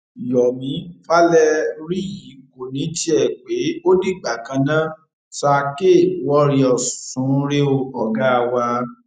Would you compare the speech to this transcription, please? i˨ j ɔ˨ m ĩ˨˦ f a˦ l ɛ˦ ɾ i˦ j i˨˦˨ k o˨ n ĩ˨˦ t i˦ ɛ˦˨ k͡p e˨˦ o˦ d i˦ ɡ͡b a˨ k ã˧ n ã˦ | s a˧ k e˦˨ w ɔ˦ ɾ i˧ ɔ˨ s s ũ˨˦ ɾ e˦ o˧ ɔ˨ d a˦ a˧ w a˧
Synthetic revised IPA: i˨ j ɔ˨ m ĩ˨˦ f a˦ l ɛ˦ ɾ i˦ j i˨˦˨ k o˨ n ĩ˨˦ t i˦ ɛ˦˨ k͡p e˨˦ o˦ d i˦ ɡ͡b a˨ k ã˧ n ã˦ | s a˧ k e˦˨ w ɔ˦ ɾ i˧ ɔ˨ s s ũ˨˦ ɾ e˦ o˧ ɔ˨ ɡ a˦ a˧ w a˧